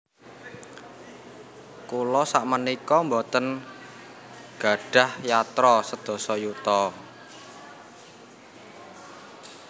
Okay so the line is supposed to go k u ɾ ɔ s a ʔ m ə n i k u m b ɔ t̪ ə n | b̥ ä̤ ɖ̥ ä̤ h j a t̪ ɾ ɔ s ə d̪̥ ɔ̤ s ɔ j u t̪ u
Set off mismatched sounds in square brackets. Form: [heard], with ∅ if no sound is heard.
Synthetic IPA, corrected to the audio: k u [l] ɔ s a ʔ m ə n i k [ɔ] m b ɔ t̪ ə n | [ɡ̥] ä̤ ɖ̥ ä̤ h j a t̪ ɾ ɔ s ə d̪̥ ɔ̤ s ɔ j u t̪ [ɔ]